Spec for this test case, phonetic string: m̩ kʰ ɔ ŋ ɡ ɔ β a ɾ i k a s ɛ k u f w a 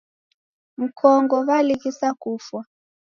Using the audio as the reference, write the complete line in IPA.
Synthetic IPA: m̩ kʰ ɔ ŋ ɡ ɔ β a l i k i s a k u f w a